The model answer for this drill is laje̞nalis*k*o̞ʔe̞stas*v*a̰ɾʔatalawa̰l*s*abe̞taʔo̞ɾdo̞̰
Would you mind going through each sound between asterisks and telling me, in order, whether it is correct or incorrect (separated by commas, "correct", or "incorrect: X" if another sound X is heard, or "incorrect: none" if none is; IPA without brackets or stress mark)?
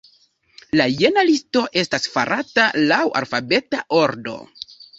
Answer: incorrect: t, incorrect: f, incorrect: f